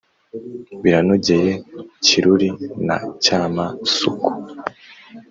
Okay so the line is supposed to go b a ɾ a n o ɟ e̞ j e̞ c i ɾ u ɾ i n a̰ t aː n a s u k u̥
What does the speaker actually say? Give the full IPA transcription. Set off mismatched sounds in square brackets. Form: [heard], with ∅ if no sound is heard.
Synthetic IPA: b [i] ɾ a n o ɟ e̞ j e̞ c i ɾ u ɾ i n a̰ [c] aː [m] a s u k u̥